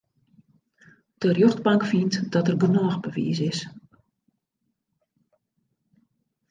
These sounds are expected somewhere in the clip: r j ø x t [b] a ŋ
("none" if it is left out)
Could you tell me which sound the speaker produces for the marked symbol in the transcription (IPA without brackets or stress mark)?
b